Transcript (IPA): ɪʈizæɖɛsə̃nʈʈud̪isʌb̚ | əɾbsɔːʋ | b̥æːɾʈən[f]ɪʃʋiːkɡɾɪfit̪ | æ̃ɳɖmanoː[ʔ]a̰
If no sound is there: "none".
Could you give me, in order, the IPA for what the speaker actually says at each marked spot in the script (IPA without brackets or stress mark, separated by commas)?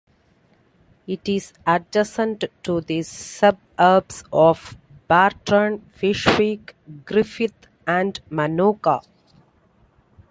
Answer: f, k